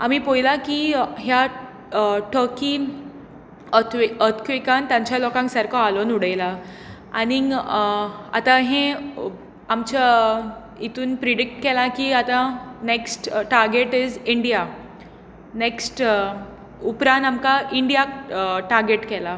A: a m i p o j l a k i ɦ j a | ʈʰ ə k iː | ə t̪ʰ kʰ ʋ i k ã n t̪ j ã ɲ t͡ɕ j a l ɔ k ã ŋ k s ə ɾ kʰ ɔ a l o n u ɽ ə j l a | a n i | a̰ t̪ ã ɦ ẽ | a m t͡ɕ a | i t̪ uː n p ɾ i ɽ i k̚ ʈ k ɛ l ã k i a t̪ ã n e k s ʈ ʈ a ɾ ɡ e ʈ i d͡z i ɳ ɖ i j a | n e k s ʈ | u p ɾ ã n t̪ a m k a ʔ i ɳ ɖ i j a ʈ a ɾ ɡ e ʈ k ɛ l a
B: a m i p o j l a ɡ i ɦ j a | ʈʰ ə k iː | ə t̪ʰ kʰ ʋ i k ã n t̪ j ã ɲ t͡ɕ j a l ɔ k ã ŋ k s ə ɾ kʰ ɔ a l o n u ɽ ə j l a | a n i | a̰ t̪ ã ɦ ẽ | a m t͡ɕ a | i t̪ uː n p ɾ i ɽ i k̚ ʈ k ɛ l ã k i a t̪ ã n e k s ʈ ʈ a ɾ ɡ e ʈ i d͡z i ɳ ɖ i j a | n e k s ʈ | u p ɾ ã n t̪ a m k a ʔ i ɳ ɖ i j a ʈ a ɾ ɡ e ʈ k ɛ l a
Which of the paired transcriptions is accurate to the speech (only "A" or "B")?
A